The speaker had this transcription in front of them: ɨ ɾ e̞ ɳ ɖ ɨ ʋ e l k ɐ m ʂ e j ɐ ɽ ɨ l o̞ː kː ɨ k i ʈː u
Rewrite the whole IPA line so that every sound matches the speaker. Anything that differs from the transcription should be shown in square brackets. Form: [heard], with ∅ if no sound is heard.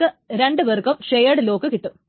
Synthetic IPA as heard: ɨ ɾ e̞ ɳ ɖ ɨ ʋ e [r] k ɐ m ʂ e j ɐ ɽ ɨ l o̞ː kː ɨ k i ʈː u